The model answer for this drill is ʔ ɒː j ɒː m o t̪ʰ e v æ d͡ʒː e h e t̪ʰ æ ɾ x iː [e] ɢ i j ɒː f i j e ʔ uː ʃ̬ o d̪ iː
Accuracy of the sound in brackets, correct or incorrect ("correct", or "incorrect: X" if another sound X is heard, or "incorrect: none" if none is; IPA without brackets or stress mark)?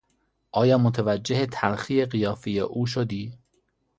correct